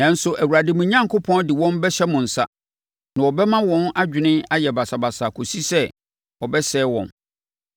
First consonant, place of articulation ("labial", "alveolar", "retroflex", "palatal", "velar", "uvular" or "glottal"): alveolar